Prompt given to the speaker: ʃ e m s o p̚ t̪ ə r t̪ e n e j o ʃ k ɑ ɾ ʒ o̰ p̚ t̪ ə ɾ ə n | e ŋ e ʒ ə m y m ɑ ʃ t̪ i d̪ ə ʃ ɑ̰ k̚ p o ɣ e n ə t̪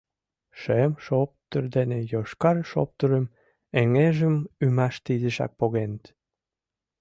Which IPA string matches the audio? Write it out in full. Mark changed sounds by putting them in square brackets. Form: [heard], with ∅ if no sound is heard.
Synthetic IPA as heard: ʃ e m [ʃ] o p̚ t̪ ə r [d̪] e n e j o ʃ k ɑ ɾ [ʃ] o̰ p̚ t̪ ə ɾ ə [m] | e ŋ e ʒ ə m y m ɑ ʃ t̪ i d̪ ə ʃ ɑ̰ k̚ p o ɣ e n ə t̪